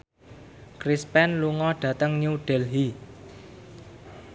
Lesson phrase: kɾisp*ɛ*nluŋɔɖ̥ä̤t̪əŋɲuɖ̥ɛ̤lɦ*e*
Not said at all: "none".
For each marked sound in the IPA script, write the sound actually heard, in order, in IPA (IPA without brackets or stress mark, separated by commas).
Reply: ɛ, i